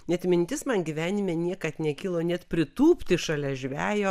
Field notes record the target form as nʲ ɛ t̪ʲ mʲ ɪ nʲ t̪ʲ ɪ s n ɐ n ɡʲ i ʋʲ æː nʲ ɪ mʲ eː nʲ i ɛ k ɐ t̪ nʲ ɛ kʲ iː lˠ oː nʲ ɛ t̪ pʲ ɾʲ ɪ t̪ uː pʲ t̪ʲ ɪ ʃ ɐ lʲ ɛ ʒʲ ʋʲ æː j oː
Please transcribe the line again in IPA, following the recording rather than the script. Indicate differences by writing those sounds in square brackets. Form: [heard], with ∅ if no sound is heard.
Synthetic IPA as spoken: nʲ ɛ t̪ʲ mʲ ɪ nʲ t̪ʲ ɪ s [m] ɐ n ɡʲ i ʋʲ æː nʲ ɪ mʲ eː nʲ i ɛ k ɐ t̪ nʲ ɛ kʲ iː lˠ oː nʲ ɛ t̪ pʲ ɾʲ ɪ t̪ uː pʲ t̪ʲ ɪ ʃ ɐ lʲ ɛ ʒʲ ʋʲ æː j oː

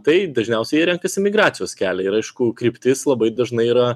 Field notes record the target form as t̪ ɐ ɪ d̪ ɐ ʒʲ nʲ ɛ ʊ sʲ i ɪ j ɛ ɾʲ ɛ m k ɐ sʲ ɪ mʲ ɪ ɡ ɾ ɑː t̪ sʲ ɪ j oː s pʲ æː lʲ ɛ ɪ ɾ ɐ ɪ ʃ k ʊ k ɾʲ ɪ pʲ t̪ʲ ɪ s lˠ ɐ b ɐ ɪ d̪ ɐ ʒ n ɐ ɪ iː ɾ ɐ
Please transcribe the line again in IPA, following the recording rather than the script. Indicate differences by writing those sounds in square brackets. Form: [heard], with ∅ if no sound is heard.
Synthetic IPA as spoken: t̪ ɐ ɪ d̪ ɐ ʒʲ nʲ ɛ ʊ sʲ [ɛ] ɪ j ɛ ɾʲ ɛ [ŋ] k ɐ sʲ ɪ mʲ ɪ ɡ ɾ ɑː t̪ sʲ ɪ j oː s [kʲ] æː lʲ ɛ ɪ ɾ ɐ ɪ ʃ k ʊ k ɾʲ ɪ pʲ t̪ʲ ɪ s lˠ ɐ b ɐ ɪ d̪ ɐ ʒ n ɐ ɪ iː ɾ ɐ

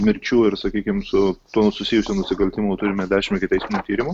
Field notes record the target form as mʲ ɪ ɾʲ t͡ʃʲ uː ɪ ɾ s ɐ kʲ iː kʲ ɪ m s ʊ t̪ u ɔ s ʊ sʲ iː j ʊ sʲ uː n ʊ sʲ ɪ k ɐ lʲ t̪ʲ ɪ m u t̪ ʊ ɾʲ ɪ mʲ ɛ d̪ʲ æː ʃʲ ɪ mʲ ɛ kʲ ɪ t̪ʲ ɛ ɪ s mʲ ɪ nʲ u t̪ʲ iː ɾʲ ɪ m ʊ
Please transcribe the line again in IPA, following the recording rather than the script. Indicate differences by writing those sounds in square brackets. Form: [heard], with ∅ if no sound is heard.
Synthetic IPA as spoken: mʲ ɪ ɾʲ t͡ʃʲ uː ɪ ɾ s ɐ kʲ iː kʲ ɪ m s ʊ t̪ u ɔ s ʊ sʲ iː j ʊ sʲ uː n ʊ sʲ ɪ k ɐ lʲ t̪ʲ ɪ m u t̪ ʊ ɾʲ ɪ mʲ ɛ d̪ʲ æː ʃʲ ɪ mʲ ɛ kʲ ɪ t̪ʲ ɛ ɪ s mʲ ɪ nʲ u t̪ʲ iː ɾʲ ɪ m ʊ

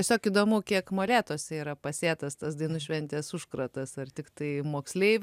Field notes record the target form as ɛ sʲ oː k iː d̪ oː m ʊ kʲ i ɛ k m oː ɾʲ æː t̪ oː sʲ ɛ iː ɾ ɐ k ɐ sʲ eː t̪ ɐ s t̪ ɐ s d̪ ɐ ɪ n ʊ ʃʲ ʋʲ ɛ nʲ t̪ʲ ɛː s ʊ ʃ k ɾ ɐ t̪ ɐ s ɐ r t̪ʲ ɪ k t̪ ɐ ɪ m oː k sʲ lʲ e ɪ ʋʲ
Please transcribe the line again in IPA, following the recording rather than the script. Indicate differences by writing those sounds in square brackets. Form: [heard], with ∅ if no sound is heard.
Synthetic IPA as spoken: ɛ sʲ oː k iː d̪ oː m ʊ kʲ i ɛ k m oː [lʲ] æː t̪ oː sʲ ɛ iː ɾ ɐ [p] ɐ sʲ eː t̪ ɐ s t̪ ɐ s d̪ ɐ ɪ n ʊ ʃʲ ʋʲ ɛ nʲ t̪ʲ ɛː s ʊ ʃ k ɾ ɐ t̪ ɐ s ɐ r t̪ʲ ɪ k t̪ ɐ ɪ m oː k sʲ lʲ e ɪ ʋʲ

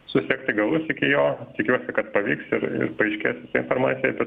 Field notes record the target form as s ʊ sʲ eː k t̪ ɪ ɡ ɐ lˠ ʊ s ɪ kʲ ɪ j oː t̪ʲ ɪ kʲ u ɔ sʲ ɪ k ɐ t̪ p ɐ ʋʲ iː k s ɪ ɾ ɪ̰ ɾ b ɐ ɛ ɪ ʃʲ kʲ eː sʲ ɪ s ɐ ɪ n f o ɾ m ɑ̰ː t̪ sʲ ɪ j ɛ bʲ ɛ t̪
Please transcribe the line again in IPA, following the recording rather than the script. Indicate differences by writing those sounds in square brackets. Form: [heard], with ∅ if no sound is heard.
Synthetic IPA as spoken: s ʊ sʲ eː k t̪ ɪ ɡ ɐ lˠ ʊ s ɪ kʲ ɪ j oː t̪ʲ ɪ kʲ u ɔ sʲ ɪ k ɐ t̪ p ɐ ʋʲ iː k s ɪ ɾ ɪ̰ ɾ [p] ɐ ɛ ɪ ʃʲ kʲ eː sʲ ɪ s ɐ ɪ n f o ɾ m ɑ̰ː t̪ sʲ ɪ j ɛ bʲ ɛ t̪

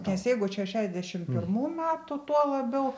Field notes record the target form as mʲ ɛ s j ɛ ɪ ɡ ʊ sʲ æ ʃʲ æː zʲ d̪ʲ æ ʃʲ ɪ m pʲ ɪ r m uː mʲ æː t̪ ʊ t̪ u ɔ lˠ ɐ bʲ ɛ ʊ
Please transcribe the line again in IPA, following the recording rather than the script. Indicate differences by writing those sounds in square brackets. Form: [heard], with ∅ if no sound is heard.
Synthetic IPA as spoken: [nʲ] ɛ s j ɛ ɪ ɡ ʊ [ʃʲ] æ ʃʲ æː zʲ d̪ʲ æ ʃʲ ɪ m pʲ ɪ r m uː mʲ æː t̪ ʊ t̪ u ɔ lˠ ɐ bʲ ɛ ʊ

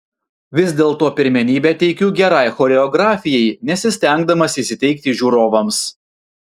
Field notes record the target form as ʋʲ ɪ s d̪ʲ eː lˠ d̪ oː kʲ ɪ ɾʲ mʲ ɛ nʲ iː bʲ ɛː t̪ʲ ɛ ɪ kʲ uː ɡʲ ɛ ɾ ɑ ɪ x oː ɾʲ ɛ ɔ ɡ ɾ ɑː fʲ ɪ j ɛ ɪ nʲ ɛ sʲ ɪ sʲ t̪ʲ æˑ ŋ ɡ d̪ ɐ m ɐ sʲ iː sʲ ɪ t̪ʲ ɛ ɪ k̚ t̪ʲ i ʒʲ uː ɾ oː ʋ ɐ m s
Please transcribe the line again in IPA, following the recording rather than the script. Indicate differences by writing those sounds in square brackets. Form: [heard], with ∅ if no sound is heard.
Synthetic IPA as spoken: ʋʲ ɪ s d̪ʲ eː lˠ [t̪] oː [pʲ] ɪ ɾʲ mʲ ɛ nʲ iː bʲ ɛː t̪ʲ ɛ ɪ kʲ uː ɡʲ ɛ ɾ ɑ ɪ x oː ɾʲ ɛ ɔ ɡ ɾ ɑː fʲ ɪ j ɛ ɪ nʲ ɛ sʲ ɪ sʲ t̪ʲ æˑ ŋ ɡ d̪ ɐ m ɐ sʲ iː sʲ ɪ t̪ʲ ɛ ɪ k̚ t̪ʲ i ʒʲ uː ɾ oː ʋ ɐ m s

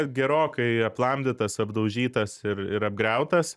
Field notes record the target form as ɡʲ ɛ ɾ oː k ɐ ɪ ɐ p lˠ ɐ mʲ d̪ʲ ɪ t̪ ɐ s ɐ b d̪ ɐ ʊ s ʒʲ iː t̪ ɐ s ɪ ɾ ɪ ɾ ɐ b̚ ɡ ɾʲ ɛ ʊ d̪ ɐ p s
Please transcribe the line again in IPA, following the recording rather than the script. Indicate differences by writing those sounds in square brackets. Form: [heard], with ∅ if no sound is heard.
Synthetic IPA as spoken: ɡʲ ɛ ɾ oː k ɐ ɪ ɐ p lˠ ɐ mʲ d̪ʲ ɪ t̪ ɐ s ɐ b d̪ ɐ ʊ [∅] ʒʲ iː t̪ ɐ s ɪ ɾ ɪ ɾ ɐ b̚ ɡ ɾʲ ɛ ʊ [t̪] ɐ [∅] s

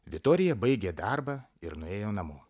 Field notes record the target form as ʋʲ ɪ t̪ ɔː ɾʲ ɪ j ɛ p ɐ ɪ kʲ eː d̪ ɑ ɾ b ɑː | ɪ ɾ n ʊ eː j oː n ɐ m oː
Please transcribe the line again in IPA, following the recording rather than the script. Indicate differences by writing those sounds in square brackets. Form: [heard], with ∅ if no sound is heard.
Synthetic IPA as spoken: ʋʲ ɪ t̪ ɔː ɾʲ ɪ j ɛ [b] ɐ ɪ [ɡʲ] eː d̪ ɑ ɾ b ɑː | ɪ ɾ n ʊ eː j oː n ɐ m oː

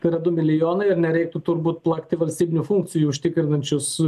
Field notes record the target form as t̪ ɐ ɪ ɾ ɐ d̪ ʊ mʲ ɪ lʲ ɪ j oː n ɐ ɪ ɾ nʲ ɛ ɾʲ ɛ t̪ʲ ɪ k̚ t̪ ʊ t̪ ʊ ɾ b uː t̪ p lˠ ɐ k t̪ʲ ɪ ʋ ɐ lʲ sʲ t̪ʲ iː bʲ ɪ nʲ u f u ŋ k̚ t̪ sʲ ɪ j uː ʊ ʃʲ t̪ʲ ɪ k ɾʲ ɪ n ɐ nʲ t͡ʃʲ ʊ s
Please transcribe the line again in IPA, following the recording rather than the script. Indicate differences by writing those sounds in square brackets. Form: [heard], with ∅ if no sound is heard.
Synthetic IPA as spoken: t̪ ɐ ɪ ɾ ɐ d̪ ʊ mʲ ɪ lʲ ɪ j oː n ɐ ɪ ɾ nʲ ɛ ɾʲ ɛ [∅] ɪ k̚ t̪ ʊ t̪ ʊ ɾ b uː t̪ p lˠ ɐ k t̪ʲ ɪ ʋ ɐ lʲ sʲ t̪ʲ iː bʲ ɪ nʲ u f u ŋ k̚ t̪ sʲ ɪ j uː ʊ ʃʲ t̪ʲ ɪ k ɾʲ ɪ n ɐ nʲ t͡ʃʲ ʊ s

